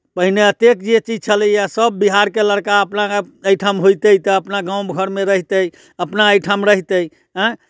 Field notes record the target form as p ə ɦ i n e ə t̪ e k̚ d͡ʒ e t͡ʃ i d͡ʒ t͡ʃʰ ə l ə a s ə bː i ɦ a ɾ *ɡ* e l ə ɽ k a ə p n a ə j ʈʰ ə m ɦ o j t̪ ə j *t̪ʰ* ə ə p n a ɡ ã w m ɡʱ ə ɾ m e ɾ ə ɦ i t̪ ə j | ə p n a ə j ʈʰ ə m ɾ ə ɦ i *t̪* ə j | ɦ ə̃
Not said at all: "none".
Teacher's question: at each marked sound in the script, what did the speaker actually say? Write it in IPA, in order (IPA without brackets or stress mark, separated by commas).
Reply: k, t̪, t̪